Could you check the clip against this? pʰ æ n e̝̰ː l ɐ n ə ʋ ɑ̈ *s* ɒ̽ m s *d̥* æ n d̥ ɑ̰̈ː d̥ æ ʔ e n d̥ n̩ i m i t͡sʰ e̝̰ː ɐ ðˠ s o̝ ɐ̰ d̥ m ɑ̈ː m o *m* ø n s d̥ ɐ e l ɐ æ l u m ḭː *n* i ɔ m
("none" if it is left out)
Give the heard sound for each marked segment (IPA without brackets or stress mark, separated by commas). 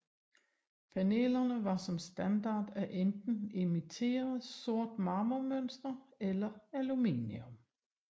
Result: s, d̥, m, n